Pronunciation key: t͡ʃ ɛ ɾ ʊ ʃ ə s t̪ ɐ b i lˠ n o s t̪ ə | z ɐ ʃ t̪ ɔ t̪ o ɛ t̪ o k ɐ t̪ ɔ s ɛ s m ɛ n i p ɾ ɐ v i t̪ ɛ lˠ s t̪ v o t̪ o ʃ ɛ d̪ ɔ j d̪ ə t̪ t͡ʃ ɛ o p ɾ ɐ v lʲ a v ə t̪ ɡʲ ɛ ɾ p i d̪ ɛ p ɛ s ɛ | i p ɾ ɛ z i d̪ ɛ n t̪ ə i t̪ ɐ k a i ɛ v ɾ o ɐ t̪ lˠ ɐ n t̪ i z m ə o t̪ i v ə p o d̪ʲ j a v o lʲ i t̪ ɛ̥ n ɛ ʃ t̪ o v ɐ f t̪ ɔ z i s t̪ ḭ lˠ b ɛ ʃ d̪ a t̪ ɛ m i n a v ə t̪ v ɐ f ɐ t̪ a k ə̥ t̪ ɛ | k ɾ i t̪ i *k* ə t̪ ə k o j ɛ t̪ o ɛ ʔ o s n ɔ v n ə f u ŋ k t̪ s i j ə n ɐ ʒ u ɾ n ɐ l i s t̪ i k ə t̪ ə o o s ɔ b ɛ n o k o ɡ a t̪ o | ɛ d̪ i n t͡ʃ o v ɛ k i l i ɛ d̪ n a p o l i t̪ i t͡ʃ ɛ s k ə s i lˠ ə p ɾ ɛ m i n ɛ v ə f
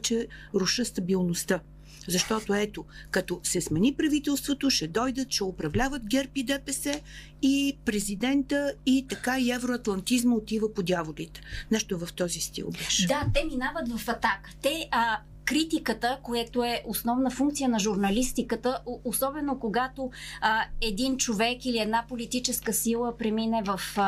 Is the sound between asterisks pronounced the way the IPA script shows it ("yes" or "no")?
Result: yes